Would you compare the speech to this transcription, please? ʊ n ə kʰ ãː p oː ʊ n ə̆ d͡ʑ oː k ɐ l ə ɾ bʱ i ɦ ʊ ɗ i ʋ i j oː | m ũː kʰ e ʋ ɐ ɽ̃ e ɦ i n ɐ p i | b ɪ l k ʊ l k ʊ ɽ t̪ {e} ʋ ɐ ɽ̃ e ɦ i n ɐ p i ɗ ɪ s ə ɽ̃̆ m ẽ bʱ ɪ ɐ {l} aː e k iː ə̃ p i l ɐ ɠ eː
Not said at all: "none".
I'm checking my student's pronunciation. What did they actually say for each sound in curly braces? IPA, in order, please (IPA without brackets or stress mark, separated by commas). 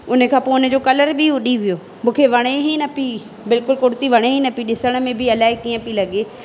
i, l